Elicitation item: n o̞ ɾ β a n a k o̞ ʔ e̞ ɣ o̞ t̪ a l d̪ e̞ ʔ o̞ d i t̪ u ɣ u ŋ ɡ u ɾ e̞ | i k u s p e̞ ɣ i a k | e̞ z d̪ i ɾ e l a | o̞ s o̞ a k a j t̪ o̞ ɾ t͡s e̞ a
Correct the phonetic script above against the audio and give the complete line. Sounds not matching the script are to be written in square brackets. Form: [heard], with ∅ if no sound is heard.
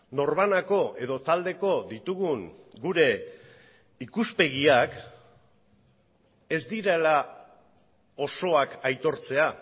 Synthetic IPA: n o̞ ɾ β a n a k o̞ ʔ e̞ [ð] o̞ t̪ a l d̪ e̞ [k] o̞ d i t̪ u ɣ u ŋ ɡ u ɾ e̞ | i k u s p e̞ ɣ i a k | e̞ z d̪ i ɾ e l a | o̞ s o̞ a k a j t̪ o̞ ɾ t͡s e̞ a